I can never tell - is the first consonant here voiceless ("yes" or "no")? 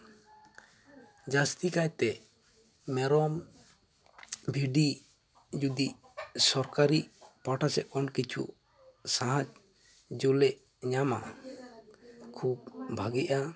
no